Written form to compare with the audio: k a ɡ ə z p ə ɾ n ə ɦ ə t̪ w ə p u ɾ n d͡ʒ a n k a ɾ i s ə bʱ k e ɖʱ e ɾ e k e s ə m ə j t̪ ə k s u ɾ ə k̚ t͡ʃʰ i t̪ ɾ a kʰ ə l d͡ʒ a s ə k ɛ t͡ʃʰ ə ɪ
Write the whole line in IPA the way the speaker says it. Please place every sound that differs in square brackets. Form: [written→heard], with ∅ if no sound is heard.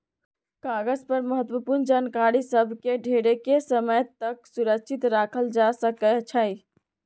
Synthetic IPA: k a ɡ ə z p ə ɾ [n→m] ə ɦ ə t̪ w ə p u ɾ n d͡ʒ a n k a ɾ i s ə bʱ k e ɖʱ e ɾ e k e s ə m ə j t̪ ə k s u ɾ ə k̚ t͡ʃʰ i t̪ ɾ a kʰ ə l d͡ʒ a s ə k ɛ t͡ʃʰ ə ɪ